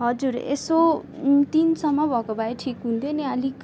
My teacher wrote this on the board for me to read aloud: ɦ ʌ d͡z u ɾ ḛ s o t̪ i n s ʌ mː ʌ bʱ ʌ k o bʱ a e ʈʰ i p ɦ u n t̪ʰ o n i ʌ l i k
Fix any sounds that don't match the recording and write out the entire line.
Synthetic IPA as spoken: ɦ ʌ d͡z u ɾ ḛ s o t̪ i n s ʌ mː ʌ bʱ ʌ k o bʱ a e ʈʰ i k ɦ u n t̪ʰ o n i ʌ l i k